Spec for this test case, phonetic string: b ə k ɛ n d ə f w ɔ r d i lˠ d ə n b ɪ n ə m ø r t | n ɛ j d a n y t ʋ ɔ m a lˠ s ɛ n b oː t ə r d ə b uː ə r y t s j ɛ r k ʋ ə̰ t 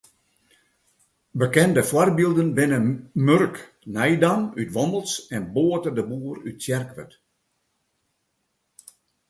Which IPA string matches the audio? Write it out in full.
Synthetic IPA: b ə k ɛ n d ə f w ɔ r b i lˠ d ə n b ɪ n ə m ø r k | n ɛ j d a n y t ʋ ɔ m ə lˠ s ɛ n b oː t ə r d ə b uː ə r y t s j ɛ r k ʋ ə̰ t